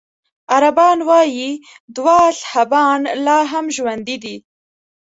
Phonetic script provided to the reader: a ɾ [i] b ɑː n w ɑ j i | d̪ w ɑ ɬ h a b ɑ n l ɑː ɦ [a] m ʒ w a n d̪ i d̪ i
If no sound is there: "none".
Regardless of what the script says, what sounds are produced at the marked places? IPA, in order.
a, a

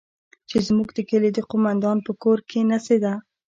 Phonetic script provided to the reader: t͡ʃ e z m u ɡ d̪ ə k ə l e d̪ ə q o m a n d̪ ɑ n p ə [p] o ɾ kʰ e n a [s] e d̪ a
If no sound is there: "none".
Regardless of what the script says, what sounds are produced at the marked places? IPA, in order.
k, s

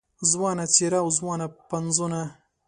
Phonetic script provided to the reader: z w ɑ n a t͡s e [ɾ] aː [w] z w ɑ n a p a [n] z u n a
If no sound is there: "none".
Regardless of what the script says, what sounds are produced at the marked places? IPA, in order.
ɾ, w, n

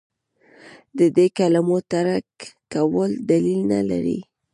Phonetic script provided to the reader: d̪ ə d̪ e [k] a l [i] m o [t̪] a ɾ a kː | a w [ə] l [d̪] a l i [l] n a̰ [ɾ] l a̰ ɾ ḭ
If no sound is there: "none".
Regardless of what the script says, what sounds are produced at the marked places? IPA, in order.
k, a, t̪, ə, d̪, l, none

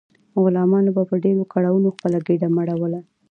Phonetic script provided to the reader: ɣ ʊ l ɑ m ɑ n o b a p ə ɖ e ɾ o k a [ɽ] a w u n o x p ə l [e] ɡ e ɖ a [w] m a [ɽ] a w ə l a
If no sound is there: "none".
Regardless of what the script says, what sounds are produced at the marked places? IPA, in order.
ɽ, a, none, ɽ

